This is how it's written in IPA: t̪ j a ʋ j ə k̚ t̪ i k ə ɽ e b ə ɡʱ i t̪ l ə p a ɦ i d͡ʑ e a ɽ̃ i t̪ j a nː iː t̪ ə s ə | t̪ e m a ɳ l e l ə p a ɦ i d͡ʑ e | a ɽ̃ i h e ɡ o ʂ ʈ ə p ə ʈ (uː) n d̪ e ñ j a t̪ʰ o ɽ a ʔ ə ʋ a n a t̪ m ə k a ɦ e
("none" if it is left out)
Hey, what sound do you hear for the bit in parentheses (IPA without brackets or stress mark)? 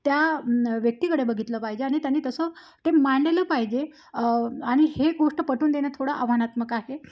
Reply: uː